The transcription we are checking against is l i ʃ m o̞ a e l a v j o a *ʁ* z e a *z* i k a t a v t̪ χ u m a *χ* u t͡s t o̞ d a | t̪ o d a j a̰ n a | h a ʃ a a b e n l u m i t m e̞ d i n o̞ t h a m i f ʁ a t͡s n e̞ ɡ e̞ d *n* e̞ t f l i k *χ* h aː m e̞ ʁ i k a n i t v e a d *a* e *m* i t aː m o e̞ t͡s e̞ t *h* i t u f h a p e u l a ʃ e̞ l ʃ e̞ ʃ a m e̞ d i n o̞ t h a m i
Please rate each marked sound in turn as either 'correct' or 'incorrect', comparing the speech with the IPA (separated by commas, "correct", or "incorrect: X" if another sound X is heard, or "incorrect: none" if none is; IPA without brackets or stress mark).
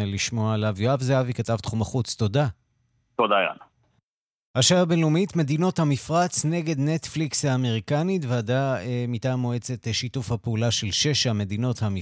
incorrect: v, incorrect: v, correct, correct, incorrect: s, correct, correct, incorrect: ʃ